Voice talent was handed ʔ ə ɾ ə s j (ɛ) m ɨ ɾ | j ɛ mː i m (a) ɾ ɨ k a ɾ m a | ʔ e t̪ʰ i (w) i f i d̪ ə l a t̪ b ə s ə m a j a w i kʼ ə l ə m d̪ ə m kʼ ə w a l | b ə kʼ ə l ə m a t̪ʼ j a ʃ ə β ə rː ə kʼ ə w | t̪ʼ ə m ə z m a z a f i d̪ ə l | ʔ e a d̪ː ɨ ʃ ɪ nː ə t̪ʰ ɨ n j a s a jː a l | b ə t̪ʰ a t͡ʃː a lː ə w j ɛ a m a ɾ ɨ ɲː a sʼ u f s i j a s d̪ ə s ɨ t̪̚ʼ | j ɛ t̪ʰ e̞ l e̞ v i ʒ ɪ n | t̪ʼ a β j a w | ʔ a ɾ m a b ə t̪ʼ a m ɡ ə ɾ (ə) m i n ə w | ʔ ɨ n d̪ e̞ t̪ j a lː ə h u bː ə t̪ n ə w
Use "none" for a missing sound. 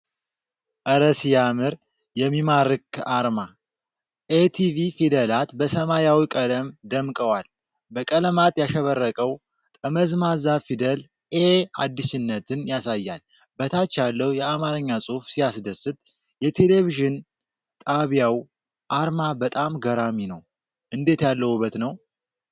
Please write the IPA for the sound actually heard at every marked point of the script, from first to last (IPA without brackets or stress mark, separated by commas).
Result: a, a, v, a